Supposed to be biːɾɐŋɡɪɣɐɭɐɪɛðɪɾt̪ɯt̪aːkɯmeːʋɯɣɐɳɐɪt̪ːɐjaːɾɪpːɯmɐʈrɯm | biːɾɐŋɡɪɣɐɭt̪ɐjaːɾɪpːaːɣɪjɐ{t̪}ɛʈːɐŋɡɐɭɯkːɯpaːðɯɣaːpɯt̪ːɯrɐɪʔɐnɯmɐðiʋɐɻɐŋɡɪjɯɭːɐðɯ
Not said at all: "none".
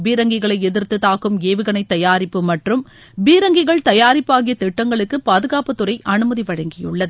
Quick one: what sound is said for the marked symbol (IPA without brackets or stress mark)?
t̪